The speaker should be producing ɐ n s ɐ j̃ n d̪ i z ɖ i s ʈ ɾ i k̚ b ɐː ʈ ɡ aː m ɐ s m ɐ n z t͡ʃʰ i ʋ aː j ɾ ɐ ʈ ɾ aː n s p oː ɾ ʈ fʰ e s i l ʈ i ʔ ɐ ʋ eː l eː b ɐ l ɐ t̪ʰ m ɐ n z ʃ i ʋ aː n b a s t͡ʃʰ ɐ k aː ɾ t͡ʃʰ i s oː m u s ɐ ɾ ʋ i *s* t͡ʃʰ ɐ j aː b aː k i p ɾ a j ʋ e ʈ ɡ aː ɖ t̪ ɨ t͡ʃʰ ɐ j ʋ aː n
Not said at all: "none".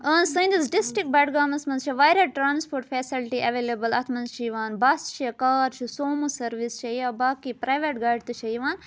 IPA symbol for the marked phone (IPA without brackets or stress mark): s